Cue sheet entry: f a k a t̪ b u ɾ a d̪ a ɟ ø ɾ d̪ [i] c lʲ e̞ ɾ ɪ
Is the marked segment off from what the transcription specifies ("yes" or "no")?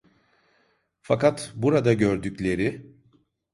yes